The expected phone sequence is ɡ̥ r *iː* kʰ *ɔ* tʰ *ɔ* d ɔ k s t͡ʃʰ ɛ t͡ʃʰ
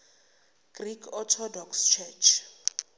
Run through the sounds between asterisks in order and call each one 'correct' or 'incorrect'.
incorrect: i, correct, correct

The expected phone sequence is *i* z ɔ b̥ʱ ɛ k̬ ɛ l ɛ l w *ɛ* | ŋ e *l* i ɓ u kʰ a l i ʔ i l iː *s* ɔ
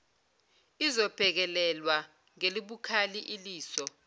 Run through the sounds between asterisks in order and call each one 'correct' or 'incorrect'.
correct, incorrect: a, correct, correct

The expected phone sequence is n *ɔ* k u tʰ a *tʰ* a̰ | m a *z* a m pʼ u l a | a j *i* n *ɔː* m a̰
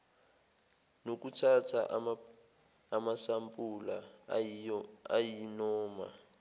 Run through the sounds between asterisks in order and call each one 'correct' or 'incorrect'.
incorrect: o, correct, incorrect: s, correct, correct

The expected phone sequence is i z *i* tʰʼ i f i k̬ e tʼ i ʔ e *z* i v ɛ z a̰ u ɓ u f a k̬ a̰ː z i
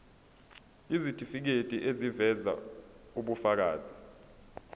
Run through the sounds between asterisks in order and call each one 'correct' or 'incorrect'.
correct, correct

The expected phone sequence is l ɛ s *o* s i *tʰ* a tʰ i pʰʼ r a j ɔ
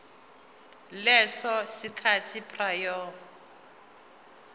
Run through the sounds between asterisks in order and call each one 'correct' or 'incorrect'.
incorrect: ɔ, incorrect: kʰ

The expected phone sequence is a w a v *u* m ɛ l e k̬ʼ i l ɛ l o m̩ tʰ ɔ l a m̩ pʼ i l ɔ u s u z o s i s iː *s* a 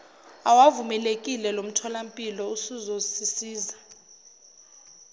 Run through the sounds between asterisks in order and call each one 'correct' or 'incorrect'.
correct, incorrect: z

